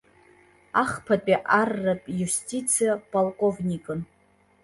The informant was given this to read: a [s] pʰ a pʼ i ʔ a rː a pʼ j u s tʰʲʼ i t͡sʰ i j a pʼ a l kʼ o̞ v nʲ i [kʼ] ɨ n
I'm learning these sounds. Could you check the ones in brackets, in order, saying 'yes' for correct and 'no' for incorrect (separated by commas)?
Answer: no, yes